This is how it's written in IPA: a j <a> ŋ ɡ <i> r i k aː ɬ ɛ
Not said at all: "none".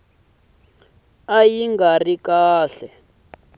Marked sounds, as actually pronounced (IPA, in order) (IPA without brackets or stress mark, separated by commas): i, a